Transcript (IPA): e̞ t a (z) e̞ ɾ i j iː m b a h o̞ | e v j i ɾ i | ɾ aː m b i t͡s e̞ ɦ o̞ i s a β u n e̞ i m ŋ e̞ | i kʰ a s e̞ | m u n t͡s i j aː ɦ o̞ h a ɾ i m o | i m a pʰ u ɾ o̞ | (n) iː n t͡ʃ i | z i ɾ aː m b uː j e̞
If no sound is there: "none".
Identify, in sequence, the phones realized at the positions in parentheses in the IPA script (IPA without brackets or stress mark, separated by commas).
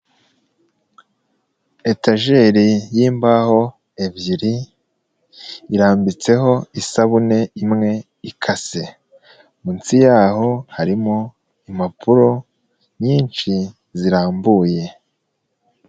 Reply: ʒ, ɲ